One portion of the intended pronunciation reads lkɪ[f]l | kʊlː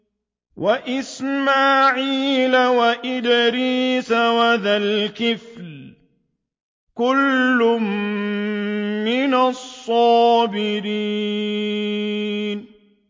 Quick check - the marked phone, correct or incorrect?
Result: correct